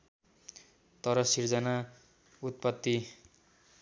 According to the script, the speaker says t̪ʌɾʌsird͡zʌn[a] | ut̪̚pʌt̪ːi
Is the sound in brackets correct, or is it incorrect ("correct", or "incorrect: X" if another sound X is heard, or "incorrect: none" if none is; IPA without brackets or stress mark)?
correct